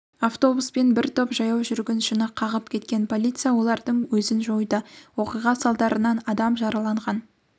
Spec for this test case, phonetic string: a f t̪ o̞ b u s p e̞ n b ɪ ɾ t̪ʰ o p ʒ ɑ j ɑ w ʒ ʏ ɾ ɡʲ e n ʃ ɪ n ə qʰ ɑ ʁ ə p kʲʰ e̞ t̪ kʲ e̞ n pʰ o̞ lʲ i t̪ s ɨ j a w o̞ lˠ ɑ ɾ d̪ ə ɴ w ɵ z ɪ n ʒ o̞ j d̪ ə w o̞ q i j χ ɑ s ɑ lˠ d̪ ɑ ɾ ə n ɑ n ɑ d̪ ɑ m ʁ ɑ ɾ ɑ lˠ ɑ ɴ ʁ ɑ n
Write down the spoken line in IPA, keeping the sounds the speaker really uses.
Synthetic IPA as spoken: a f t̪ o̞ b u s p e̞ n b ɪ ɾ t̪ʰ o p ʒ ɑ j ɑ w ʒ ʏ ɾ ɡʲ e n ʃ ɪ n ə qʰ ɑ ʁ ə p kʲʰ e̞ t̪ kʲ e̞ n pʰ o̞ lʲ i t̪ s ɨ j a w o̞ lˠ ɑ ɾ d̪ ə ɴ w ɵ z ɪ n ʒ o̞ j d̪ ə w o̞ q i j ʁ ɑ s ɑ lˠ d̪ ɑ ɾ ə n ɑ n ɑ d̪ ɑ m ʒ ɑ ɾ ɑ lˠ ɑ ɴ ʁ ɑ n